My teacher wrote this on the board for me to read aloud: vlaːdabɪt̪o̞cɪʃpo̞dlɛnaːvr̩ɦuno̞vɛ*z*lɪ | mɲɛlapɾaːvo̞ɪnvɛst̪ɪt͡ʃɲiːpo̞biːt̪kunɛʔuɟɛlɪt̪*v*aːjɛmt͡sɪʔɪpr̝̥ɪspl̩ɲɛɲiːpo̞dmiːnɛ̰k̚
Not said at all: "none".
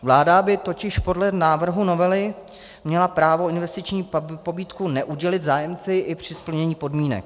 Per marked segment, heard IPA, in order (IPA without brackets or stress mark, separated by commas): none, z